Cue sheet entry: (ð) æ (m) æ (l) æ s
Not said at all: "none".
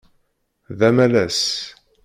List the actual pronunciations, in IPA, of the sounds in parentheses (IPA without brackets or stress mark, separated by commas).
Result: ð, m, l